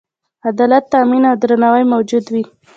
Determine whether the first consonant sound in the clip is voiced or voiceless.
voiced